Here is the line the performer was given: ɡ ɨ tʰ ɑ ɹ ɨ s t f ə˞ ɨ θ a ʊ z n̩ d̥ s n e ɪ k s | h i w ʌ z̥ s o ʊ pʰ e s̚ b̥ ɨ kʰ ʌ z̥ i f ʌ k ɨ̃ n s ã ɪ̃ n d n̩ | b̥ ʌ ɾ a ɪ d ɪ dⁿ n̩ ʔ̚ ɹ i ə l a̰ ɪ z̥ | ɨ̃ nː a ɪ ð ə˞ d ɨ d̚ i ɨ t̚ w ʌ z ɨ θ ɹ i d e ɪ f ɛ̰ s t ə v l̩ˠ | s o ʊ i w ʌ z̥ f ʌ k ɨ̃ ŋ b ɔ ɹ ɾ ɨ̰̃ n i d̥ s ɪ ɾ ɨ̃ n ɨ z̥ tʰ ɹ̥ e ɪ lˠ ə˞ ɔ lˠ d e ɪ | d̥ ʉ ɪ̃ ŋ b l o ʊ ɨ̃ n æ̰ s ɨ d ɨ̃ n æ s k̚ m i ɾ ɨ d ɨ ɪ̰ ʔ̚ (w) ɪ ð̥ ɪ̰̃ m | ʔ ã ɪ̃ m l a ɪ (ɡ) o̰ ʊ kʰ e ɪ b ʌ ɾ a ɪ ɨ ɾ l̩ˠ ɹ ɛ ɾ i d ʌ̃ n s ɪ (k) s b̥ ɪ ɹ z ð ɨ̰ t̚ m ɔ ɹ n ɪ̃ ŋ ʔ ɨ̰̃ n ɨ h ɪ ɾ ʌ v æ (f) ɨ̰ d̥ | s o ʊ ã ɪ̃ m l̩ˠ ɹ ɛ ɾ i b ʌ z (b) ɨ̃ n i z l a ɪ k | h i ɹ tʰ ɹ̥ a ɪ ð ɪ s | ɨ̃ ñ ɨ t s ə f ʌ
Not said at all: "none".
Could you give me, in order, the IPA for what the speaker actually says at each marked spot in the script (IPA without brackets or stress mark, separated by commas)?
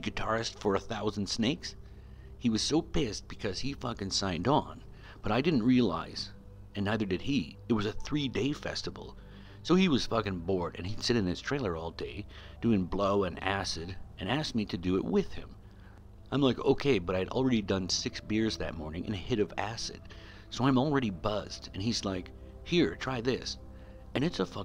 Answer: w, k, k, s, d